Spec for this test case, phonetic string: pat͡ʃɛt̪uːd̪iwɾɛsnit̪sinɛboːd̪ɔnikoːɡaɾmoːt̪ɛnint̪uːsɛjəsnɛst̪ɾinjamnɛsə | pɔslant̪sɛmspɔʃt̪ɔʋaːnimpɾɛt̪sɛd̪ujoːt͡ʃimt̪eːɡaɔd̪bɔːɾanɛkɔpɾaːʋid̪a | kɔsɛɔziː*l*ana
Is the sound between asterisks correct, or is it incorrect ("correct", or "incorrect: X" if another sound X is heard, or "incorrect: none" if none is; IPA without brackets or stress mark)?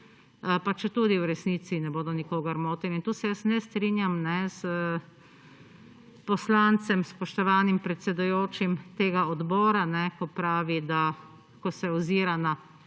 incorrect: ɾ